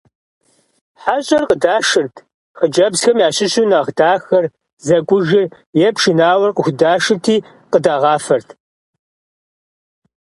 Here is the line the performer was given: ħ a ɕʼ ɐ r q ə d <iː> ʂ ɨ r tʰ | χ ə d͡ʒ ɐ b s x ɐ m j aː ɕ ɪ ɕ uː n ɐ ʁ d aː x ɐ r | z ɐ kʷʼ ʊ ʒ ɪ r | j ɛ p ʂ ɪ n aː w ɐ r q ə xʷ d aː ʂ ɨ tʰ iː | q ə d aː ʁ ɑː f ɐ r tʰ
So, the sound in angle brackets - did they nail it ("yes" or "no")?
no